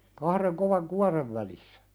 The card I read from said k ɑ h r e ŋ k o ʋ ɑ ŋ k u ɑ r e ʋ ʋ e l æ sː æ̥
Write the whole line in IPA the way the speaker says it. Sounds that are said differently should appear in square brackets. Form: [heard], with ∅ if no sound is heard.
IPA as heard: k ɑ h r e ŋ k o ʋ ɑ ŋ k u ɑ r e ʋ ʋ [æ] l [i] sː æ̥